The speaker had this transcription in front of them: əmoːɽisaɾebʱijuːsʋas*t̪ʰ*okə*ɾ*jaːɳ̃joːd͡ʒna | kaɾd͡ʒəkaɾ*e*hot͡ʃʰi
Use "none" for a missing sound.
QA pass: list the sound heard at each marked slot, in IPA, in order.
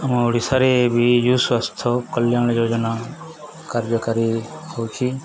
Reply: t̪ʰ, l, i

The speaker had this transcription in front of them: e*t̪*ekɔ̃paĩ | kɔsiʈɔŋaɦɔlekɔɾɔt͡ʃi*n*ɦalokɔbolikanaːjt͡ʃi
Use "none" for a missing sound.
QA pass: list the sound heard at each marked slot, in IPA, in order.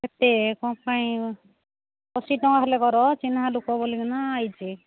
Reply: t̪, n

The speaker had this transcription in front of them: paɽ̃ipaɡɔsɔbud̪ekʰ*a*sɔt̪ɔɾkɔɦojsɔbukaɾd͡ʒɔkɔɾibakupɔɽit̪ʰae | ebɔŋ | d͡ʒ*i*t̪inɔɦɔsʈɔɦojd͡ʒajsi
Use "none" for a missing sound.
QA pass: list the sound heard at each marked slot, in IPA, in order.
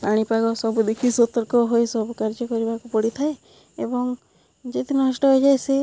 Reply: i, e

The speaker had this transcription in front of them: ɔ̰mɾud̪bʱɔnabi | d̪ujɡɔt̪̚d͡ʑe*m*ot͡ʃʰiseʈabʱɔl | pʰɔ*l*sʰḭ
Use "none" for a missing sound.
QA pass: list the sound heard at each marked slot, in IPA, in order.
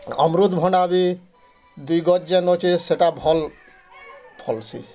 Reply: n, l

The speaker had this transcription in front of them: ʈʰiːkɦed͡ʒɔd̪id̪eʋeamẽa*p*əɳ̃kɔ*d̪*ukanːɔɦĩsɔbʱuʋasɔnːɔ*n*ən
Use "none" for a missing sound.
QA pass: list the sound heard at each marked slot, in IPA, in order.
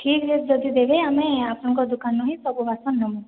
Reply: p, d̪, m

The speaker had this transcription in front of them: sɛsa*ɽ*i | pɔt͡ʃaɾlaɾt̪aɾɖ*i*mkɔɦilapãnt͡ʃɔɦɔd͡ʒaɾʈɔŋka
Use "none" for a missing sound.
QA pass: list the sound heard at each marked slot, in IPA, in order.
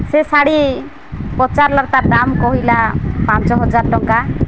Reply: ɽ, a

